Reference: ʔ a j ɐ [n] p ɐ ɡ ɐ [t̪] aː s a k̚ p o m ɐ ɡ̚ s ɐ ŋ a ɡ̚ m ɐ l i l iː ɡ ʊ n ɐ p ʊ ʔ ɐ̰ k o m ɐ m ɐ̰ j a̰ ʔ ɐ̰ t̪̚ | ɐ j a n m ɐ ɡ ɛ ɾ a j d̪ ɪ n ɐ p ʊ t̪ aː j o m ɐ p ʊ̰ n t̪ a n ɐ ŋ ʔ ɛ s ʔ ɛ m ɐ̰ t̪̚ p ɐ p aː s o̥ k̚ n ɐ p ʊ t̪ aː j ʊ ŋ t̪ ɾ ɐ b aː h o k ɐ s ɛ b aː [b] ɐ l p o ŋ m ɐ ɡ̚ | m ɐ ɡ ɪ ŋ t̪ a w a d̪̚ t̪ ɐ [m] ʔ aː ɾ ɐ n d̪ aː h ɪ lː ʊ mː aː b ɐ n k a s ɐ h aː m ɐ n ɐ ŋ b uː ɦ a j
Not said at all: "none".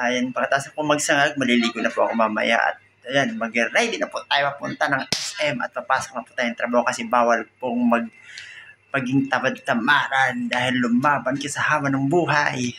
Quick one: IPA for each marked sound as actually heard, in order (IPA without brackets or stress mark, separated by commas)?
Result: n, t̪, w, m